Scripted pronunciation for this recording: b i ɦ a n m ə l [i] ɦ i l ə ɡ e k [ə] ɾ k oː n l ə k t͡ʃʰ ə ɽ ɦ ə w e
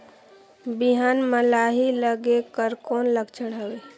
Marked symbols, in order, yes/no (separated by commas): no, yes